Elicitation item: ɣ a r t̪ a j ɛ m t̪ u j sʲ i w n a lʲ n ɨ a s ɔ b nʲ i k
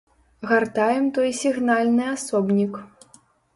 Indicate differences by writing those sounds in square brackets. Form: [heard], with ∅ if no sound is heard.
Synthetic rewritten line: ɣ a r t̪ a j ɛ m t̪ [ɔ] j sʲ i [ɣ] n a lʲ n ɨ a s ɔ b nʲ i k